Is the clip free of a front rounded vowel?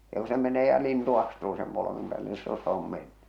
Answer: no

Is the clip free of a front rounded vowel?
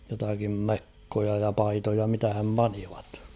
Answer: yes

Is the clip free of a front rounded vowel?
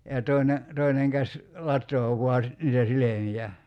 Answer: yes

